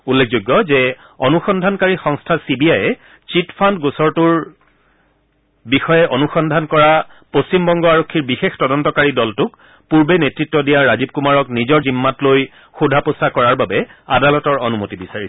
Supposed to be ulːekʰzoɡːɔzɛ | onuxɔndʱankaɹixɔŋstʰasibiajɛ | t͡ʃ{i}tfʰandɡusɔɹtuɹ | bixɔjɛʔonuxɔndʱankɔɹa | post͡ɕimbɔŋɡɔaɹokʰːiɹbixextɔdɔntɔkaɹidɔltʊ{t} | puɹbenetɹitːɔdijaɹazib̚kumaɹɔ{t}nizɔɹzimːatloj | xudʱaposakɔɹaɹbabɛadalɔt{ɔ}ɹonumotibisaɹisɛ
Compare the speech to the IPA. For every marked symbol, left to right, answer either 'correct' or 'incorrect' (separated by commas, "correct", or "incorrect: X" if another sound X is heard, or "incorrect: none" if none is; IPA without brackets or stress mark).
correct, incorrect: k, incorrect: k, correct